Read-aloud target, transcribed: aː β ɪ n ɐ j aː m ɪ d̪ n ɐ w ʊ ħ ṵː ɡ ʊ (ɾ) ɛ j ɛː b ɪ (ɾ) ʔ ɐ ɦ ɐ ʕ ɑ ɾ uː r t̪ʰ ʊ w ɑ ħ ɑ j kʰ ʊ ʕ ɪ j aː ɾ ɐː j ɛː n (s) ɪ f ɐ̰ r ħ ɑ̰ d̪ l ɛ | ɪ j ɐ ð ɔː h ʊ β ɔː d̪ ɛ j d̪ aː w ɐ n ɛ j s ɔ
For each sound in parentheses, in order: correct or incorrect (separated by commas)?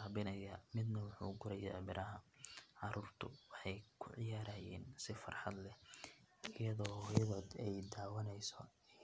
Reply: correct, correct, correct